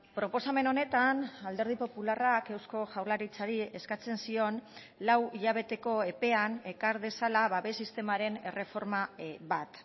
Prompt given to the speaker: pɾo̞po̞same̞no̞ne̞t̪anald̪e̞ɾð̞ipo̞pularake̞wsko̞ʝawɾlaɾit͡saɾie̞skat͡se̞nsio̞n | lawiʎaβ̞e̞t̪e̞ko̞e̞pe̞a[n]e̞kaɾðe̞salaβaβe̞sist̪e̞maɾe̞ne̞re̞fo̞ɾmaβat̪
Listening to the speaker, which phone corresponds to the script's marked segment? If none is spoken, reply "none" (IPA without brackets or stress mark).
n